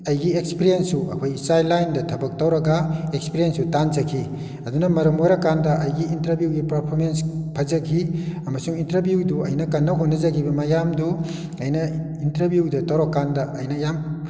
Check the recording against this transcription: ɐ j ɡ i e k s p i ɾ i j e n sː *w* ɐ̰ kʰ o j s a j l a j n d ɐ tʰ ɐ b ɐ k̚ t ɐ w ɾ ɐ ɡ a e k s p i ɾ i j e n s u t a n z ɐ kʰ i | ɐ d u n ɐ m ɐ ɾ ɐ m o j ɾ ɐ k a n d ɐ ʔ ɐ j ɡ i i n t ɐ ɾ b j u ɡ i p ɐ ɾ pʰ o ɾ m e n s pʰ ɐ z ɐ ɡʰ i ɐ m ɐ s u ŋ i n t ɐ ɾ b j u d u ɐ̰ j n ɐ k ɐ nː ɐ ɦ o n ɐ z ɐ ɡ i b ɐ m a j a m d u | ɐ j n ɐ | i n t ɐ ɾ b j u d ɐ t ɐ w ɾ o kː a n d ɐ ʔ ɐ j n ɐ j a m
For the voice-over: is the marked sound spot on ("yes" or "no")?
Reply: no